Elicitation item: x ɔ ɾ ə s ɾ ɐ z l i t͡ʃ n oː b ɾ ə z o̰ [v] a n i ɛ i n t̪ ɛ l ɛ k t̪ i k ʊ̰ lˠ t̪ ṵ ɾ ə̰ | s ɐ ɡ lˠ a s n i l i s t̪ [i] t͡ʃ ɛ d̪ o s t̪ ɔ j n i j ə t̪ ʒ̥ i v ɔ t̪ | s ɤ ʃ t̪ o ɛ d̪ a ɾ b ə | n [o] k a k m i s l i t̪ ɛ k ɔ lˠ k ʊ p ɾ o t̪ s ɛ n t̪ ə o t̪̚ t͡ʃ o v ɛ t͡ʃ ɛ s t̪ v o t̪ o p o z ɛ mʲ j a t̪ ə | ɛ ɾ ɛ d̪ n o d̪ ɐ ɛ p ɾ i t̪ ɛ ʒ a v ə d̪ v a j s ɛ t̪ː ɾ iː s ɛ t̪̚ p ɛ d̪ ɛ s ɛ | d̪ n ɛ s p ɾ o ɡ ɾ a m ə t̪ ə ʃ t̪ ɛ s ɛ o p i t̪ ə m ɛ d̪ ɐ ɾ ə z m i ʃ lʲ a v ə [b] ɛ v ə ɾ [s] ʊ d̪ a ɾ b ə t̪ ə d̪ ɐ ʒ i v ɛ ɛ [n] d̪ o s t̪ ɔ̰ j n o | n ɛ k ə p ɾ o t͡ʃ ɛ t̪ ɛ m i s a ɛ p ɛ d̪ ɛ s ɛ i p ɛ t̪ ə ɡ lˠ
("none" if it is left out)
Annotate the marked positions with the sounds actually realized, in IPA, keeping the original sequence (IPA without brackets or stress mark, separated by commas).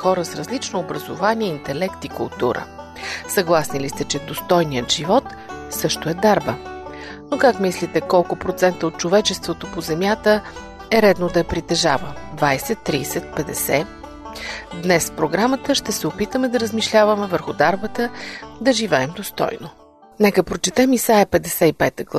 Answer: v, ɛ, o, m, x, m